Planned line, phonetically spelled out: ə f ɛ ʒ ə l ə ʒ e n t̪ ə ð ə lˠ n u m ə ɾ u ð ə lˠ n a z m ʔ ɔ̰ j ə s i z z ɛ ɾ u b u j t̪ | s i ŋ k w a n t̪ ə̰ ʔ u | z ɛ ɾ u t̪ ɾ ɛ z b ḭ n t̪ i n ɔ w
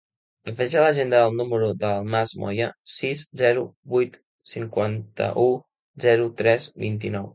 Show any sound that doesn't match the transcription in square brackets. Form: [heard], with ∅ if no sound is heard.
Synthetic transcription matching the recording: ə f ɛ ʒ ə l ə ʒ e n [d̪] ə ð ə lˠ n u m ə ɾ u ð ə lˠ [m] a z m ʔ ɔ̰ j ə s i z z ɛ ɾ u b u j t̪ | s i ŋ k w a n t̪ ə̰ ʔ u | z ɛ ɾ u t̪ ɾ ɛ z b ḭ n t̪ i n ɔ w

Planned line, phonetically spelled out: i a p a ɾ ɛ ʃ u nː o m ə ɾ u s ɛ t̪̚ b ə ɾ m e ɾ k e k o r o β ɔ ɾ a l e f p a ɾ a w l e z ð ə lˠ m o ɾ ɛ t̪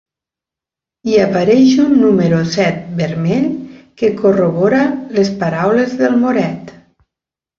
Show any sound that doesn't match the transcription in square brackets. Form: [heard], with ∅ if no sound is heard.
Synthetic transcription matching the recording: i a p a ɾ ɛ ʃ u nː [u] m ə ɾ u s ɛ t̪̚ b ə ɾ m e [ʎ] k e k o r o β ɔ ɾ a l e [s] p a ɾ a w l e z ð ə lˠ m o ɾ ɛ t̪

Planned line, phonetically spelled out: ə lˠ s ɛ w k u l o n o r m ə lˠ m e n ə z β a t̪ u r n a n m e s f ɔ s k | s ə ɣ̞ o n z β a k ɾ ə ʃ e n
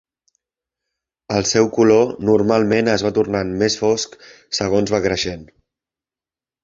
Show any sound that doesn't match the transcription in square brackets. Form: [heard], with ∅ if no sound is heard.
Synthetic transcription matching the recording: ə lˠ s ɛ w k u l o n [u] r m [a] lˠ m e n ə z β a t̪ u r n a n m e s f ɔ s k | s ə ɣ̞ o n z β a k ɾ ə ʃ e n

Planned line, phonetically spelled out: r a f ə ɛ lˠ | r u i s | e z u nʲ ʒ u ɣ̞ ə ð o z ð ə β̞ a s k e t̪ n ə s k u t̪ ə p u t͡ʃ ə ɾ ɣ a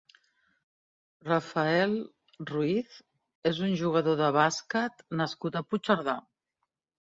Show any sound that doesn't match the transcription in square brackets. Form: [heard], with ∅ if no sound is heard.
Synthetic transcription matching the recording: r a f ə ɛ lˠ | r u i [θ] | e z u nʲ ʒ u ɣ̞ ə ð o [∅] ð ə β̞ a s k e t̪ n ə s k u t̪ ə p u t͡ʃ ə ɾ [ð] a

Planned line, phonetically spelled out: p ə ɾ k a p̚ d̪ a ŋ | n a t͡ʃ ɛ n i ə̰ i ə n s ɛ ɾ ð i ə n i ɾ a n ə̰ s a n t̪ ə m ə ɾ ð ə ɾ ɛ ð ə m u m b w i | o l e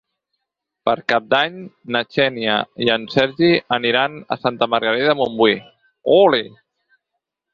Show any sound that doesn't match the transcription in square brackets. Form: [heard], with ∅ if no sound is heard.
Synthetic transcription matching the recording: p ə ɾ k a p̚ d̪ a [ɲ] | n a t͡ʃ ɛ n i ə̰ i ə n s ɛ ɾ [ʒ] i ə n i ɾ a n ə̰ s a n t̪ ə m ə ɾ [ɣ] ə ɾ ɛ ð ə m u m b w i | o l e

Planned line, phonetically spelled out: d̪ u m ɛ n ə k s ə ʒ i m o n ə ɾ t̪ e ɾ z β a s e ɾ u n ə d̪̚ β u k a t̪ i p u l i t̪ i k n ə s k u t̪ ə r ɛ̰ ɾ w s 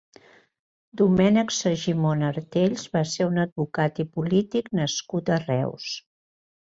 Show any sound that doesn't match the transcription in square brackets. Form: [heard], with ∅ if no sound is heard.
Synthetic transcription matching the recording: d̪ u m ɛ n ə k s ə ʒ i m o n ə ɾ t̪ e [ʎ] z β a s e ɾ u n ə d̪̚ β u k a t̪ i p u l i t̪ i k n ə s k u t̪ ə r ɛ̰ [∅] w s

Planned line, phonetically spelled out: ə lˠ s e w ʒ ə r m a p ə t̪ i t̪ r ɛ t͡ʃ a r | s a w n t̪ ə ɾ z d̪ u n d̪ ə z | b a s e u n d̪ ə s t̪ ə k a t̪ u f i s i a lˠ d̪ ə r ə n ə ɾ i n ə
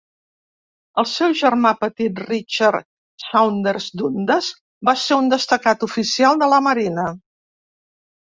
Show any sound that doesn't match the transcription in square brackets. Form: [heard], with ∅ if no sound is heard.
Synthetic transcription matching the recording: ə lˠ s [ɛ] w ʒ ə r m a p ə t̪ i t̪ r [i] t͡ʃ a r | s a w n [d̪] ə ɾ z d̪ u n d̪ ə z | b a s e u n d̪ ə s t̪ ə k a t̪ u f i s i a lˠ d̪ ə [l] ə [m] ə ɾ i n ə

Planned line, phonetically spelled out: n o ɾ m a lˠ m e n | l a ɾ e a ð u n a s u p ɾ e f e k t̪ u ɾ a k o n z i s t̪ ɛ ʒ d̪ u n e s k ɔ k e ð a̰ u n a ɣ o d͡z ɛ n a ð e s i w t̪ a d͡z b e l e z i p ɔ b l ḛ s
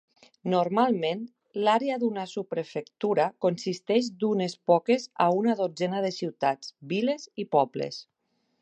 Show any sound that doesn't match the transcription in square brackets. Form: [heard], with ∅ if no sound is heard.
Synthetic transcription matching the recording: n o ɾ m a lˠ m e n | l a ɾ e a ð u n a s u p ɾ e f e k t̪ u ɾ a k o n [s] i s t̪ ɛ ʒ d̪ u n e s [p] ɔ k e [z] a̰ u n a [ð] o d͡z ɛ n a ð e s i w t̪ a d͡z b [i] l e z i p ɔ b l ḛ s

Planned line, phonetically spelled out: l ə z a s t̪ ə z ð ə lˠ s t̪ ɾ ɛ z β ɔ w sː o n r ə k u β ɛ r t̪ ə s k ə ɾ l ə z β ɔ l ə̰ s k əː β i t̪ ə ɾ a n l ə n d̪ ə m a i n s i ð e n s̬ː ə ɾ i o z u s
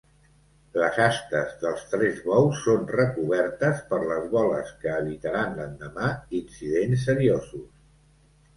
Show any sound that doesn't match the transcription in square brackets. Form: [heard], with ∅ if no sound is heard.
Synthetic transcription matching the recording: l ə z a s t̪ ə z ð ə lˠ s t̪ ɾ ɛ z β ɔ w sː o n r ə k u β ɛ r t̪ ə s [p] ə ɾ l ə z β ɔ l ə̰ s k əː β i t̪ ə ɾ a n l ə n d̪ ə m a i n s i ð e n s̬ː ə ɾ i o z u s

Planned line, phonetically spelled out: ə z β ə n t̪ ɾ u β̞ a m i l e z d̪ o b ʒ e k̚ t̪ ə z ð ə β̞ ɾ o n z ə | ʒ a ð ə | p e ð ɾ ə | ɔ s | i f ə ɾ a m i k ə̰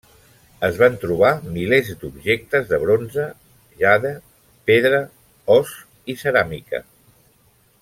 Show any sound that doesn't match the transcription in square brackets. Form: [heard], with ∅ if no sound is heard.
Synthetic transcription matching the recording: ə z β [a] n t̪ ɾ u β̞ a m i l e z d̪ [u] b ʒ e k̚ t̪ ə z ð ə β̞ ɾ o n z ə | ʒ a ð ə | p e ð ɾ ə | ɔ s | i [s] ə ɾ a m i k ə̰

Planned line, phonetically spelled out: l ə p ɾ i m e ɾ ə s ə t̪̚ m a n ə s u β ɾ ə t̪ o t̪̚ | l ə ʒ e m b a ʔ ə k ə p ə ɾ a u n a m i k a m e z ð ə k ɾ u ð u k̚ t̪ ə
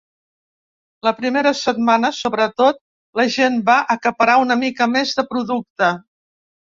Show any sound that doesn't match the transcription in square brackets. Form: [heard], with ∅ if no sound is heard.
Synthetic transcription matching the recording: l ə p ɾ i m e ɾ ə s ə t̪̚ m a n ə s [o] β ɾ ə t̪ o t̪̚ | l ə ʒ e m b a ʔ ə k ə p ə ɾ a u n [ə] m i k [ə] m e z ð ə [p] ɾ u ð u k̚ t̪ ə

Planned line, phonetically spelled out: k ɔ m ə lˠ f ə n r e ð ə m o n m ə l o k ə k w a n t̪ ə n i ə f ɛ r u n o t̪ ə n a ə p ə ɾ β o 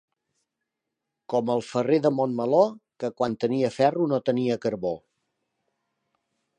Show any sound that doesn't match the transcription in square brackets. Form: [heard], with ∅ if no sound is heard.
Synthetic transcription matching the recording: k ɔ m ə lˠ f ə [∅] r e ð ə m o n m ə l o k ə k w a n t̪ ə n i ə f ɛ r u n o t̪ ə n [i] ə [k] ə ɾ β o

